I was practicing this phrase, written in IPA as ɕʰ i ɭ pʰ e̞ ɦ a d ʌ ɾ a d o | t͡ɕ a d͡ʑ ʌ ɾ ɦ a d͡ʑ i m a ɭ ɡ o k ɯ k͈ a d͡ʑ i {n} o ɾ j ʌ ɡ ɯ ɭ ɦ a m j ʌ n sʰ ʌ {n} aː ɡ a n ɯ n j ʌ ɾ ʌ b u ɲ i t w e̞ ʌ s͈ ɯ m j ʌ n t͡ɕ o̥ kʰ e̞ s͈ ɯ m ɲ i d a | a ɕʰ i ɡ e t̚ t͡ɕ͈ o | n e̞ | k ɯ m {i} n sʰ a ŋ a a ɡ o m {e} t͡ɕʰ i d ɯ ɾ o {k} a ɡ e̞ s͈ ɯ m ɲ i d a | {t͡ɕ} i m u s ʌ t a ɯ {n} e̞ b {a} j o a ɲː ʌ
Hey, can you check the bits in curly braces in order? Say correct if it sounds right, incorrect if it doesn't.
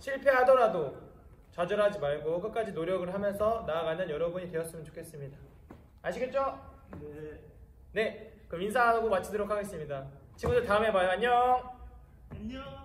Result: correct, correct, correct, incorrect: a, incorrect: kʰ, correct, incorrect: m, correct

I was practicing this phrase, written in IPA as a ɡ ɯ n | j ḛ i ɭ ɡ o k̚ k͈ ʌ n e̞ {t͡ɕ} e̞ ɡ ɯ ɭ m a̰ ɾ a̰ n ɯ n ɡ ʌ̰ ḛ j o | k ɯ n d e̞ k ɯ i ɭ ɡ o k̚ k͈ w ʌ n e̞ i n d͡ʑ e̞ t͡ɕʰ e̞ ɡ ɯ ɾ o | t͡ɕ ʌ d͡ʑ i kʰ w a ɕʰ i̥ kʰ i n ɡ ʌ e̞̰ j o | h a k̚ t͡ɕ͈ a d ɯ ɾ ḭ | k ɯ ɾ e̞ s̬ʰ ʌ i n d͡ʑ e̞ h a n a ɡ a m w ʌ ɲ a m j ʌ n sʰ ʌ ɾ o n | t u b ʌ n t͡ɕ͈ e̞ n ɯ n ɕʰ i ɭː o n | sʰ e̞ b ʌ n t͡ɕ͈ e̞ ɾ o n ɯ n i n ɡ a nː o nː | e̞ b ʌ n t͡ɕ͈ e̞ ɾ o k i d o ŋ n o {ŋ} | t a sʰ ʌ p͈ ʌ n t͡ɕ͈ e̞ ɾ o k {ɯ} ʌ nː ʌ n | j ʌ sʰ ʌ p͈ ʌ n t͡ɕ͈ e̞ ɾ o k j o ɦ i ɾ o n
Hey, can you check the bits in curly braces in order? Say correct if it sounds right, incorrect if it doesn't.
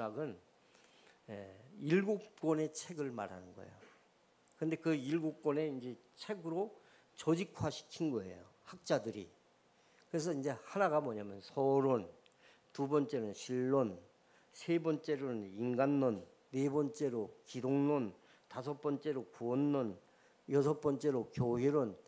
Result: incorrect: t͡ɕʰ, incorrect: n, incorrect: u

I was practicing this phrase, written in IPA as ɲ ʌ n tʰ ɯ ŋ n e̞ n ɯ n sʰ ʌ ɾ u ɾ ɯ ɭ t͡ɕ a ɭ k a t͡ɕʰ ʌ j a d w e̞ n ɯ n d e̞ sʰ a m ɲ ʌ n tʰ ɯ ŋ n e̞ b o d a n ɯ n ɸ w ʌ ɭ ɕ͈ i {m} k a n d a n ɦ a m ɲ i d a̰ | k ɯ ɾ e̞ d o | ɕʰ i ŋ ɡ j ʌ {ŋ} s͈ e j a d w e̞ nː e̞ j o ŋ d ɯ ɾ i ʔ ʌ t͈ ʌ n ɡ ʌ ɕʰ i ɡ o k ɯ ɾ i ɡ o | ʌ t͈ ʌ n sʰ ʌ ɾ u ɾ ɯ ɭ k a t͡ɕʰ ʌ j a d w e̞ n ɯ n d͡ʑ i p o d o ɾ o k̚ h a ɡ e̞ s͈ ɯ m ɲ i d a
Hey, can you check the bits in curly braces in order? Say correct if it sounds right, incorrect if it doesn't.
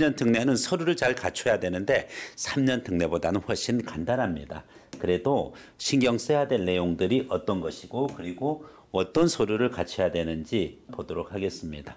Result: incorrect: n, correct

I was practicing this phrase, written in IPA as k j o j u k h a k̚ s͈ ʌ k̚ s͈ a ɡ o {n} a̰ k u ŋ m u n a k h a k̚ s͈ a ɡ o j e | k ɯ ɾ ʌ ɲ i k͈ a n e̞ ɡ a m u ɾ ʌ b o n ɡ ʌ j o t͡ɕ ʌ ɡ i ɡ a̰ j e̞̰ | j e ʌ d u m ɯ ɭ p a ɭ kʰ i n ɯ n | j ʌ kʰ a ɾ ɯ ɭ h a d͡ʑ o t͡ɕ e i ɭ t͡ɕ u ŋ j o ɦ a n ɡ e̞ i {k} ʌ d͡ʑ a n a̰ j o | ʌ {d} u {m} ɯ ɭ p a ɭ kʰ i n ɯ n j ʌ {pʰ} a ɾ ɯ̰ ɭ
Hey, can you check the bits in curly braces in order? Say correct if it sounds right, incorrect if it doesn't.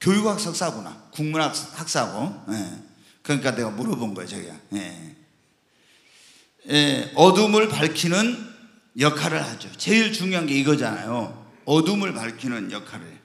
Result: correct, incorrect: ɡ, correct, correct, incorrect: kʰ

